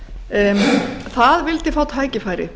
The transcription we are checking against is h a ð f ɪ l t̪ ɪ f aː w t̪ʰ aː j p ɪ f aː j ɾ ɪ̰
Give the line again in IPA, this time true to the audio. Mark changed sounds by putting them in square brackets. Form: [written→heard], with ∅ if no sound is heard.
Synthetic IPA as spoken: [h→θ] a ð [f→v] ɪ l t̪ ɪ f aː w t̪ʰ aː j [p→c] ɪ f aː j ɾ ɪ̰